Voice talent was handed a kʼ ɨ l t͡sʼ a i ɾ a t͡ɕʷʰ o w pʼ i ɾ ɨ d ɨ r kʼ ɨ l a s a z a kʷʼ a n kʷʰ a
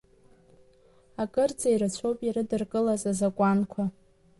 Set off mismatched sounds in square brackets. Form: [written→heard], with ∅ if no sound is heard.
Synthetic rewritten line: a kʼ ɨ [l→r] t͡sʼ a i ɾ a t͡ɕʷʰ o w pʼ i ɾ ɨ d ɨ r kʼ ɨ l a [s→z] a z a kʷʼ a n kʷʰ a